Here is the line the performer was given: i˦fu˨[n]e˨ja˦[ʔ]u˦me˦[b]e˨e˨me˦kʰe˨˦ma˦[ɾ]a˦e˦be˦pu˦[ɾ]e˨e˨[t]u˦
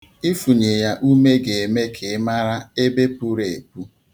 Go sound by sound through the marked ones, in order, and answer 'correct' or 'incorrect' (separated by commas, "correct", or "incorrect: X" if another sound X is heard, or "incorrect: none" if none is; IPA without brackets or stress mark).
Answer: incorrect: ɲ, correct, incorrect: ɡ, correct, correct, incorrect: p